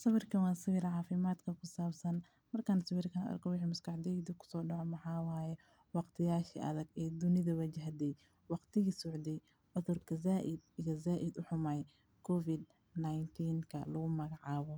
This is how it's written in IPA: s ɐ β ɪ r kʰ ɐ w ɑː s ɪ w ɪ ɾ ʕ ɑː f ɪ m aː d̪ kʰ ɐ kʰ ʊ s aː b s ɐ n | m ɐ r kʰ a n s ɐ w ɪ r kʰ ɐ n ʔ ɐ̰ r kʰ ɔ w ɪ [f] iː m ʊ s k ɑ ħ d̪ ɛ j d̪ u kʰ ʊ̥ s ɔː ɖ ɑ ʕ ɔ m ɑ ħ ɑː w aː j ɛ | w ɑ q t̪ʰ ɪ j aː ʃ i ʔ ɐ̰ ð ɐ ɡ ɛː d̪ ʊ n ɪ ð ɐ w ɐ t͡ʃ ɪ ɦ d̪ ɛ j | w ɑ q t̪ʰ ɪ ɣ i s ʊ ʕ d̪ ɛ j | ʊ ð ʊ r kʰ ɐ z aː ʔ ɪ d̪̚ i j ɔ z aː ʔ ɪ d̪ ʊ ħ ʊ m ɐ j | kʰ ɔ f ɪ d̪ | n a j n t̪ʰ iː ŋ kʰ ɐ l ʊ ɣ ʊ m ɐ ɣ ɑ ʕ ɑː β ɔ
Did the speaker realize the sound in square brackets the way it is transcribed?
no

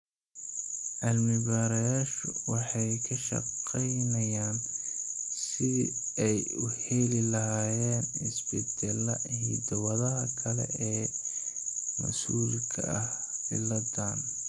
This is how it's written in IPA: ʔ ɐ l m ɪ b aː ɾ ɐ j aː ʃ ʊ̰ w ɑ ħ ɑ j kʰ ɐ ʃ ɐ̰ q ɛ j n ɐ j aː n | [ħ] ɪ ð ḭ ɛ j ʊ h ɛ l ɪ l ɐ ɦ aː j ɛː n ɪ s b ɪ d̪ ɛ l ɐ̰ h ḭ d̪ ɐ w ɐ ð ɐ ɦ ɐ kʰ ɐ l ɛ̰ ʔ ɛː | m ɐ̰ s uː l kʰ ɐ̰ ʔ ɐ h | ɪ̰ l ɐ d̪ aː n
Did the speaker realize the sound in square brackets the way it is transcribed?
no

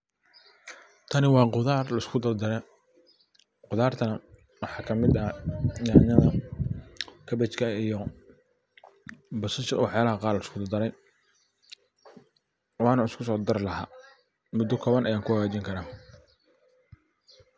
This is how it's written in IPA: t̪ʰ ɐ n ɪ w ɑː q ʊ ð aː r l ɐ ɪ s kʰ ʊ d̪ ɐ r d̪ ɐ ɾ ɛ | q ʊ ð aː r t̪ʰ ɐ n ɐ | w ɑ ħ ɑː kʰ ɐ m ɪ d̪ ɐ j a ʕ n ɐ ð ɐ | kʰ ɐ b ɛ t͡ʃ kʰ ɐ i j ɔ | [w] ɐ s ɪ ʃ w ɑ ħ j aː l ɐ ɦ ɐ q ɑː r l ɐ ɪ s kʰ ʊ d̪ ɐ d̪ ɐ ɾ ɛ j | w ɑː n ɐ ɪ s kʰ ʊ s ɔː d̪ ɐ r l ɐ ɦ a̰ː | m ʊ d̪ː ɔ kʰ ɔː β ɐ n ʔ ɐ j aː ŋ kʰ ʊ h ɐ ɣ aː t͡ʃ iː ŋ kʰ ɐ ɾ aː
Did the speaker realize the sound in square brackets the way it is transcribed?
no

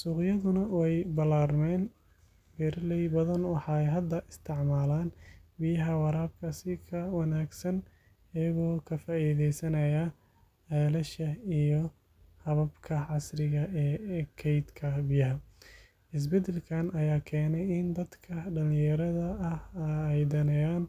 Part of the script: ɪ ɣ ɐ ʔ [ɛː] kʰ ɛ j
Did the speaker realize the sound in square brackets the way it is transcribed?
yes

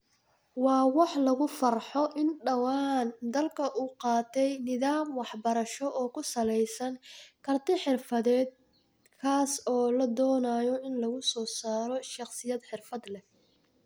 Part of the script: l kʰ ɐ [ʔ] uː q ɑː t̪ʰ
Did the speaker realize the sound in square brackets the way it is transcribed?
yes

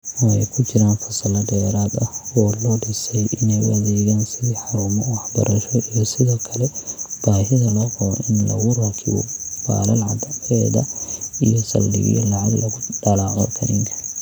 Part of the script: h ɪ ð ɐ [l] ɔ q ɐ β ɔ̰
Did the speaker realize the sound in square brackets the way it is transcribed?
yes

